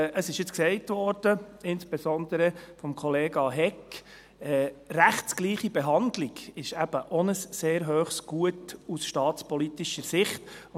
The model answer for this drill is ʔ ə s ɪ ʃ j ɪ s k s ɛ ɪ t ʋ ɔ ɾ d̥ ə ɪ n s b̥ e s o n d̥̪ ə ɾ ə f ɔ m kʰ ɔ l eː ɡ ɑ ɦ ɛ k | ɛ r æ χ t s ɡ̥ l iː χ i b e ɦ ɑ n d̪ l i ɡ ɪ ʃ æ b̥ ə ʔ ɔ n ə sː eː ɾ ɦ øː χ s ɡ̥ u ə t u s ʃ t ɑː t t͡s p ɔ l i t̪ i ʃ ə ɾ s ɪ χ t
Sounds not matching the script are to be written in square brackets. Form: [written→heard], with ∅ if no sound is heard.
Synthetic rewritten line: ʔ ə s ɪ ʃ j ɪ [s→t͡s] k s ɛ ɪ t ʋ ɔ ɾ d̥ ə ɪ n s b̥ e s [o→ɔ] n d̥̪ ə ɾ ə f ɔ m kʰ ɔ l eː ɡ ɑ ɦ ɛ k | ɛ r æ χ t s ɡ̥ l iː χ i b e ɦ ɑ n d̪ l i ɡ ɪ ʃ æ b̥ ə ʔ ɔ n ə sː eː ɾ ɦ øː χ s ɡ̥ u ə t u s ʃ t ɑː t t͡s p ɔ l i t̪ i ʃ ə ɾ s ɪ χ t